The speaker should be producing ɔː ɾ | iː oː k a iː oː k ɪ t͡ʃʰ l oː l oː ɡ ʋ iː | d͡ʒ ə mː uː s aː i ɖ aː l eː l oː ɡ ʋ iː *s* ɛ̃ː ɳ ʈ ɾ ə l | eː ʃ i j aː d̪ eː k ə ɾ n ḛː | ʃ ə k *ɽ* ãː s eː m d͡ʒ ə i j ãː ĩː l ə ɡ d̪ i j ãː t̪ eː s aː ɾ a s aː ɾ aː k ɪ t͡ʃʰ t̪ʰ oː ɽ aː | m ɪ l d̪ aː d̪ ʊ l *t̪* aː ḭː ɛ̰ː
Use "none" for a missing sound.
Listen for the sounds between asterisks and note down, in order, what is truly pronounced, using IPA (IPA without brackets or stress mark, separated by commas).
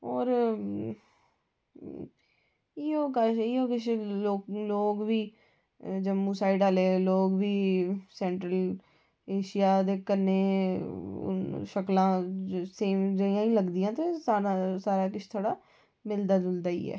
s, l, d̪